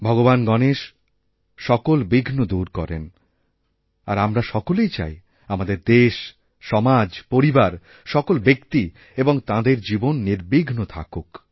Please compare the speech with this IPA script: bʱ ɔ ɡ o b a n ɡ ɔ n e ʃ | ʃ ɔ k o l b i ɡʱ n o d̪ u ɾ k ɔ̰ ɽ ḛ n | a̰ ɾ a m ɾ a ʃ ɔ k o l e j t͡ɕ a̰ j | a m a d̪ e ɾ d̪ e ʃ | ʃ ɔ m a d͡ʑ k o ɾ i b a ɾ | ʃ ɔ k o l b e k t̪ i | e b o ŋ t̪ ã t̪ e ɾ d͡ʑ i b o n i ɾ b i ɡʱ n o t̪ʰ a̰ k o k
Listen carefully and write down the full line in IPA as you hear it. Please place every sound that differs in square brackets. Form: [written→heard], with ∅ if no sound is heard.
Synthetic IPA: bʱ ɔ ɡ o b a n ɡ ɔ n e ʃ | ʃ ɔ k o l b i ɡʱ n o d̪ u ɾ k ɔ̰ [ɽ→ɾ] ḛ n | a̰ ɾ a m ɾ a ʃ ɔ k o l e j t͡ɕ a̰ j | a m a d̪ e ɾ d̪ e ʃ | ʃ ɔ m a d͡ʑ [k→p] o ɾ i b a ɾ | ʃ ɔ k o l b e k t̪ i | e b o ŋ t̪ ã [t̪→d̪] e ɾ d͡ʑ i b o [n→nː] i ɾ b i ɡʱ n o t̪ʰ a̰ k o k